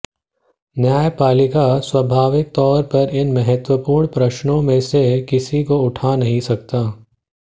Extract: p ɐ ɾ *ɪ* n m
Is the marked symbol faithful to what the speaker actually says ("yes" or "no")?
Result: yes